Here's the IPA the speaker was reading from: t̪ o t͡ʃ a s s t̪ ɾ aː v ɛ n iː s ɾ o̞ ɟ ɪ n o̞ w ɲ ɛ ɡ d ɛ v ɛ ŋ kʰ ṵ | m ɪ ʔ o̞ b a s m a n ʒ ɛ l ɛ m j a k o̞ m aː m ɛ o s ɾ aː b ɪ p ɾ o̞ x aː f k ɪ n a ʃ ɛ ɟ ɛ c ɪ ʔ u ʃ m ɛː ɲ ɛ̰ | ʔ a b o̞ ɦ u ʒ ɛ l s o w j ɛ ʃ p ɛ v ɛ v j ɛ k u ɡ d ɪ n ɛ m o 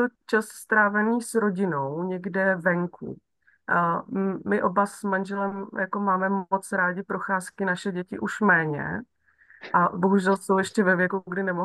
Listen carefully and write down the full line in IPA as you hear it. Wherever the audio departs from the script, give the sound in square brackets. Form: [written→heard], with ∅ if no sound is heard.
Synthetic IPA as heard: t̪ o t͡ʃ a s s t̪ ɾ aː v ɛ n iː s ɾ o̞ ɟ ɪ n o̞ w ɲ ɛ ɡ d ɛ v ɛ ŋ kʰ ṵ | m ɪ ʔ o̞ b a s m a n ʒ ɛ l ɛ m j a k o̞ m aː m ɛ o [s→t͡s] ɾ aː [b→ɟ] ɪ p ɾ o̞ x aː [f→s] k ɪ n a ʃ ɛ ɟ ɛ c ɪ ʔ u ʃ m ɛː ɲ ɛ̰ | ʔ a b o̞ ɦ u ʒ ɛ l s o w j ɛ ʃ [p→c] ɛ v ɛ v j ɛ k u ɡ d ɪ n ɛ m o